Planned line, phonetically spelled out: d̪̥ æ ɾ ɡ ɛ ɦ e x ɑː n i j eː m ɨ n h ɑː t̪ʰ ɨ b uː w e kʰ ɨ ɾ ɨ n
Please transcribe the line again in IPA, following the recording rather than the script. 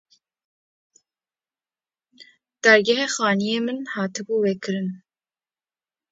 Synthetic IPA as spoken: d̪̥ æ ɾ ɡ ɛ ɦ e x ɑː n i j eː m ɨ n h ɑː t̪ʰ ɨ b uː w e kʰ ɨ ɾ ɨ n